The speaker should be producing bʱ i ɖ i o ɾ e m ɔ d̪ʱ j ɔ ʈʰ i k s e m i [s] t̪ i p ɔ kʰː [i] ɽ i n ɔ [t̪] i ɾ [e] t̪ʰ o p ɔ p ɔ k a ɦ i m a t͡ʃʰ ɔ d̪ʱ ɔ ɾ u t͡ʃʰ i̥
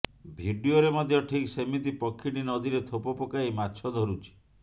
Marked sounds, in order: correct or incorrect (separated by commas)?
incorrect, correct, incorrect, correct